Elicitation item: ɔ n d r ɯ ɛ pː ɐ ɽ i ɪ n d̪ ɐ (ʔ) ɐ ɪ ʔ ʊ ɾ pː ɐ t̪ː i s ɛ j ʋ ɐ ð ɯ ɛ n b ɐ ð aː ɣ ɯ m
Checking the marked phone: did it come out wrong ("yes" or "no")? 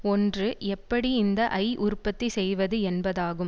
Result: no